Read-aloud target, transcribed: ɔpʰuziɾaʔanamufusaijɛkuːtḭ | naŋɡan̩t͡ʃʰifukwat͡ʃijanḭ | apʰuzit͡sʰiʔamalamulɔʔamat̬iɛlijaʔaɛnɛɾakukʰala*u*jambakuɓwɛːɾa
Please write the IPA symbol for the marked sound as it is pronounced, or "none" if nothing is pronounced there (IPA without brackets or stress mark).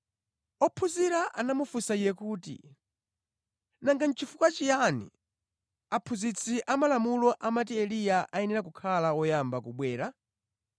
ɔ